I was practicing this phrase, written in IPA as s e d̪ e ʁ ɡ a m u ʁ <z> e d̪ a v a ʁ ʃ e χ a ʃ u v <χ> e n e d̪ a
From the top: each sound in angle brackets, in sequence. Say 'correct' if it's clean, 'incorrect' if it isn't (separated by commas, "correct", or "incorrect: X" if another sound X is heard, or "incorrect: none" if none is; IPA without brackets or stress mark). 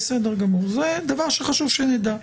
correct, incorrect: ʃ